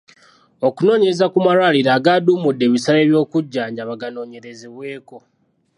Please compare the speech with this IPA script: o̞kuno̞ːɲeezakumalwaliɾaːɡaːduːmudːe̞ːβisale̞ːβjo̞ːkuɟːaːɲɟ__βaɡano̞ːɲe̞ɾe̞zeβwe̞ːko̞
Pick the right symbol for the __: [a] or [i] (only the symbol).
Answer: a